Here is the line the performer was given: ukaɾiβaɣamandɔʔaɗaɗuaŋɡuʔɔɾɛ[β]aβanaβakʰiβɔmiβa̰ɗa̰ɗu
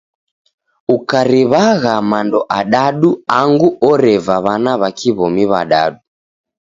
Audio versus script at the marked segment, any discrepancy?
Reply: yes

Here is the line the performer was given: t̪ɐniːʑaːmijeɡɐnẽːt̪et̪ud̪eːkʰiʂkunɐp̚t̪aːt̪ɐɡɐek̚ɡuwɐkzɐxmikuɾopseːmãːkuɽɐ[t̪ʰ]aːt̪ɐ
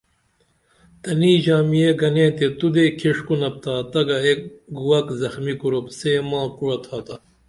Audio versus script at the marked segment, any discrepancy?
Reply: no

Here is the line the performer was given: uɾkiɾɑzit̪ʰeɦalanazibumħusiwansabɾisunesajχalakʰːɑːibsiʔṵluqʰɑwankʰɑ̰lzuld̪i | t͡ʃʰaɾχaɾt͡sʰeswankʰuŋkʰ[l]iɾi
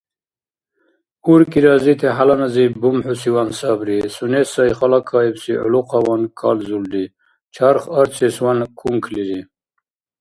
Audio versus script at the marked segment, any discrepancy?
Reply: no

